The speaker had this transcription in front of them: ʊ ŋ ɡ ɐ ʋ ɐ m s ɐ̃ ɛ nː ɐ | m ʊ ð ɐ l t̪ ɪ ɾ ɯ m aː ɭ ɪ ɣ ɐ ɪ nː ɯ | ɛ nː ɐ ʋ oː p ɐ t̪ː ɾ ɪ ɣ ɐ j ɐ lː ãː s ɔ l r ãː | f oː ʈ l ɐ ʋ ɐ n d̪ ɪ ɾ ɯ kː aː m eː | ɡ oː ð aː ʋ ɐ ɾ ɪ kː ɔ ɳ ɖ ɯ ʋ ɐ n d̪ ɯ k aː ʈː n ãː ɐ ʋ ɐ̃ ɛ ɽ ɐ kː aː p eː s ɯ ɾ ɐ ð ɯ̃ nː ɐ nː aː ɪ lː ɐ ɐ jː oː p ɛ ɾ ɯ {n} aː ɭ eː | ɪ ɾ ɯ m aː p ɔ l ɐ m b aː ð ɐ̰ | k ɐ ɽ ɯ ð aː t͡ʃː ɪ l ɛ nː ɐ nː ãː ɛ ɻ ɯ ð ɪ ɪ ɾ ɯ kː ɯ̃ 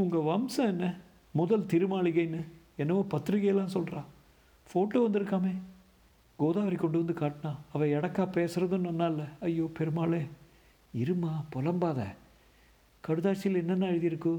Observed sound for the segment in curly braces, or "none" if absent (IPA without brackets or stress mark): m